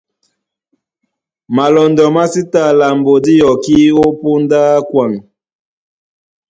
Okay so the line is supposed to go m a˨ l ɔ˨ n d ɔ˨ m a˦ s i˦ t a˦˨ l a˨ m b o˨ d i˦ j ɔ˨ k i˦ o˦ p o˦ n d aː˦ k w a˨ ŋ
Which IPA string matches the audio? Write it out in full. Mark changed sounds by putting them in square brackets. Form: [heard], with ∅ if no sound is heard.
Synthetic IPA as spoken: m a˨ l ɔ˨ n d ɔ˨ m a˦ s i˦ t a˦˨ l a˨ m b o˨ d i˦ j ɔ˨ k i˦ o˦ p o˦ n d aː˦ k w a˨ ŋ